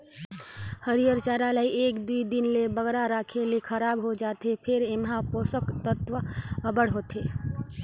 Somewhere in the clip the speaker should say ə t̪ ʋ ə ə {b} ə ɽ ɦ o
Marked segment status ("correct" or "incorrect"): correct